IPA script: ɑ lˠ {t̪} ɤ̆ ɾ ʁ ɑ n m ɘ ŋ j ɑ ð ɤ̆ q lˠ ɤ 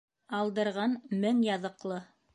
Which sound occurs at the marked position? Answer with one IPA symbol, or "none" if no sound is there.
d̪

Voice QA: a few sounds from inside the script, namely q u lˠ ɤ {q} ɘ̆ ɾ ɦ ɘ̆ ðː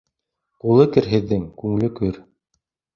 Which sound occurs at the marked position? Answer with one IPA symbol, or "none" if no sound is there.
k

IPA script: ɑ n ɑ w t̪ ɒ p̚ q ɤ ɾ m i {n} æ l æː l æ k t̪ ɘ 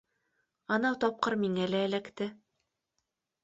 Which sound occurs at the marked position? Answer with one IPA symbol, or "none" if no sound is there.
ŋ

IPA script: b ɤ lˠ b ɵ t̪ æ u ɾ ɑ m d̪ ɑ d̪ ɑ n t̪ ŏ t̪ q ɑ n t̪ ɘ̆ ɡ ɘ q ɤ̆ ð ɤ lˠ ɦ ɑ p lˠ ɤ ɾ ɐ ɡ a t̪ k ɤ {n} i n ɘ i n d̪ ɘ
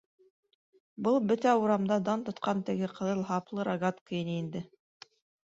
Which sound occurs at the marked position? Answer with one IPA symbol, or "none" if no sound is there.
none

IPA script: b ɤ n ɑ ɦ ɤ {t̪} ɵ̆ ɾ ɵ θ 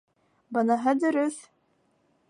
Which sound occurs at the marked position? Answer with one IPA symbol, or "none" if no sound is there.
d̪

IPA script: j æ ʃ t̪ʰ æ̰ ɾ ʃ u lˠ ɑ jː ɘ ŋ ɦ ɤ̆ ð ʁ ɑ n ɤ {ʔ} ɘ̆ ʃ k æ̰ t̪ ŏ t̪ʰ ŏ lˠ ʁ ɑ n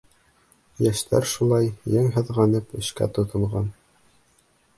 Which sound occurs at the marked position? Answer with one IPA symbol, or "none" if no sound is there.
p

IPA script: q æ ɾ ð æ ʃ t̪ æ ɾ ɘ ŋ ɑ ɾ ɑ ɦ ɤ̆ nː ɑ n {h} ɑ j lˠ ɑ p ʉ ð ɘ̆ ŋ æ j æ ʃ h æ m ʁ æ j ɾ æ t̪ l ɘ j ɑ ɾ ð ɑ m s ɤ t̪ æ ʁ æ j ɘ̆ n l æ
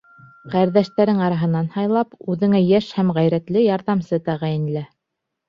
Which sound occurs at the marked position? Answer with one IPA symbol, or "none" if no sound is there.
h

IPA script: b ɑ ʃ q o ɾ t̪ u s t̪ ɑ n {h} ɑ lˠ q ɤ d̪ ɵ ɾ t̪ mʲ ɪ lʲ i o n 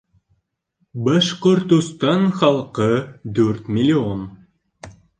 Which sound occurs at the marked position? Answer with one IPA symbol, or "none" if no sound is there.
χ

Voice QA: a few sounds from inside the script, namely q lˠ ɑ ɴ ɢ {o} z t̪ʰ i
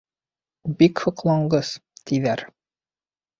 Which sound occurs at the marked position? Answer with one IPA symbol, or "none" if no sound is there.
ɤ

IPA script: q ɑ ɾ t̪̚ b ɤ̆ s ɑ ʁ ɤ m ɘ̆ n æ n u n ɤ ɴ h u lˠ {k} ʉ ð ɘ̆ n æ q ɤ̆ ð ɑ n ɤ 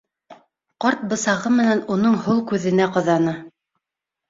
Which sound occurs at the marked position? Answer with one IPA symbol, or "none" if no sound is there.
k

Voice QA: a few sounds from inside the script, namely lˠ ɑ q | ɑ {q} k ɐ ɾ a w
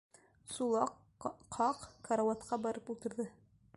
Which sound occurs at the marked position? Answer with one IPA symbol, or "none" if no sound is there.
q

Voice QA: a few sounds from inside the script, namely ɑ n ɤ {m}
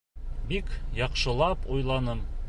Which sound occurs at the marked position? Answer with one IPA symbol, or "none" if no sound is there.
m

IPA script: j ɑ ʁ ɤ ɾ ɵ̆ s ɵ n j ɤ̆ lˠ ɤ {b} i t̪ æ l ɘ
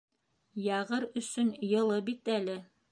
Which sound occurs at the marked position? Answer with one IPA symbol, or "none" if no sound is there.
b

